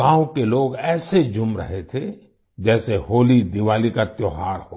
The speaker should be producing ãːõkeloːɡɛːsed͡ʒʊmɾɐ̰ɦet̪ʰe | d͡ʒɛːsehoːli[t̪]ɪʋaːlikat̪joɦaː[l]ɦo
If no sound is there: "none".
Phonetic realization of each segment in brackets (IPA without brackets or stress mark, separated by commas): d̪, ɾ